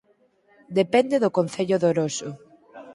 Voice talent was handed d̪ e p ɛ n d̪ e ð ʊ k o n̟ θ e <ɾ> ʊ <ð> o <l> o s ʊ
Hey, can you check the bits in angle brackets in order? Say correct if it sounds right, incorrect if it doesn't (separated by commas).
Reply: incorrect, correct, incorrect